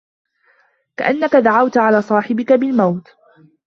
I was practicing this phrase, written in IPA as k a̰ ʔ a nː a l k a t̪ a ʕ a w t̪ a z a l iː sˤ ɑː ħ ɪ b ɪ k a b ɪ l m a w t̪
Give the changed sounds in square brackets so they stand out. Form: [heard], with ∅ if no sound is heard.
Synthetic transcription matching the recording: k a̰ ʔ a nː a [∅] k a [d̪] a ʕ a w t̪ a [ʕ] a l [aː] sˤ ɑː ħ ɪ b ɪ k a b ɪ l m a w t̪

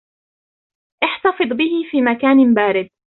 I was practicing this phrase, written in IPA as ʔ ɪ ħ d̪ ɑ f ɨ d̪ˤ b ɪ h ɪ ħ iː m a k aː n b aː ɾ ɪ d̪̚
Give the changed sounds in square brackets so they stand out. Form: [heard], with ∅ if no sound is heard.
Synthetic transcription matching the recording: ʔ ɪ ħ [t̪] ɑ f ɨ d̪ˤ b ɪ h ɪ [f] iː m a k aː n b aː ɾ ɪ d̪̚

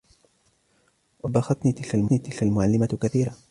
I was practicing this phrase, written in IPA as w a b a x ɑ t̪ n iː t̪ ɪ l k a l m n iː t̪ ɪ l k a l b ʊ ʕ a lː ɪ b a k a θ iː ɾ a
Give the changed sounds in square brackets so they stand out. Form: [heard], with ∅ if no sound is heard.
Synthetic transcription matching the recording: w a b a x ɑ t̪ n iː t̪ ɪ l k a l m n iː t̪ ɪ l k a l [m] ʊ ʕ a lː ɪ [m] a k a θ iː ɾ a

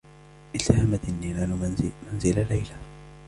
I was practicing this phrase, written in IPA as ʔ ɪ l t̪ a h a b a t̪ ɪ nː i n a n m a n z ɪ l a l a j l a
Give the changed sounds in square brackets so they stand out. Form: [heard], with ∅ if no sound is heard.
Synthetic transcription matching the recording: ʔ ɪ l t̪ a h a [m] a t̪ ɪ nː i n a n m a n z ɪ l a l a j l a

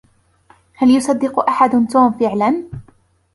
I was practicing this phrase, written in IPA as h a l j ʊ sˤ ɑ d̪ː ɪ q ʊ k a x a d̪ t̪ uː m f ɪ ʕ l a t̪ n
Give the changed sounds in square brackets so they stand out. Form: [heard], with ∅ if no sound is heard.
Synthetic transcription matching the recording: h a l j ʊ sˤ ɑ d̪ː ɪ q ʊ [ʔ] a [ħ] a d̪ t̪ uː m f ɪ ʕ l a [∅] n

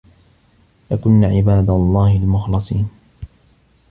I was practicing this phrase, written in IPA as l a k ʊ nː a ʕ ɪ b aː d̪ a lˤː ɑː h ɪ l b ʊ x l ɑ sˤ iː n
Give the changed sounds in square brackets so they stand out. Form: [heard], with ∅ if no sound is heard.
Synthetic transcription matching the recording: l a k ʊ nː a ʕ ɪ b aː d̪ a lˤː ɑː h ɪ l [m] ʊ x l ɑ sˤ iː n

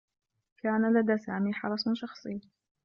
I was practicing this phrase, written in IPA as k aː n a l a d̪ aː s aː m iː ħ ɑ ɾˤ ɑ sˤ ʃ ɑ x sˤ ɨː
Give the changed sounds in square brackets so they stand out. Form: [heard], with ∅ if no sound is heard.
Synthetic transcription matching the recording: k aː n a l a d̪ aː s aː m iː ħ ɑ ɾˤ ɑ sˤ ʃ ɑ x sˤ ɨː

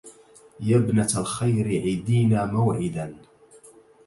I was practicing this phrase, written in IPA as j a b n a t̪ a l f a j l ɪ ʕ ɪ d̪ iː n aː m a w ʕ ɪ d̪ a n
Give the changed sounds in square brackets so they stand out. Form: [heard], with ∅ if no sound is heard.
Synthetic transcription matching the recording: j a b n a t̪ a l [x] a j [ɾ] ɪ ʕ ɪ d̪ iː n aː m a w ʕ ɪ d̪ a n

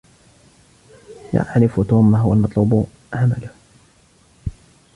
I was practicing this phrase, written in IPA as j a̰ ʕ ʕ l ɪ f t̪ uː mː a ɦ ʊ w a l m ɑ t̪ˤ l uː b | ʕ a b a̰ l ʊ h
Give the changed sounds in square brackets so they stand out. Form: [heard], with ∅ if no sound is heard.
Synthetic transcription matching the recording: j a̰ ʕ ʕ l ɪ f t̪ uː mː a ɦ ʊ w a l m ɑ t̪ˤ l uː b | ʕ a [m] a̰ l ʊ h

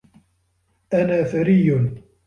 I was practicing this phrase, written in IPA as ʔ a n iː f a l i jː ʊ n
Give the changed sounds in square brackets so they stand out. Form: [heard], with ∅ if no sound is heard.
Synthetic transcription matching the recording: ʔ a n [aː] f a [ɾ] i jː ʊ n

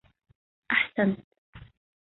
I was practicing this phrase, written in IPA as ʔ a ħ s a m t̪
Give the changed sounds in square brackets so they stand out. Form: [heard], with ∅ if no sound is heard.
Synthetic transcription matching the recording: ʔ a ħ s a [n] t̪

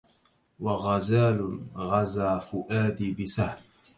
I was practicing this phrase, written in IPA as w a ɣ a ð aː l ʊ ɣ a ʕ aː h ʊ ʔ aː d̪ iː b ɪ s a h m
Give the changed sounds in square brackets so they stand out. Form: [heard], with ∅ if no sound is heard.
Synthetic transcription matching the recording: w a ɣ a [z] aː l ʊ ɣ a [z] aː [f] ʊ ʔ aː d̪ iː b ɪ s a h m

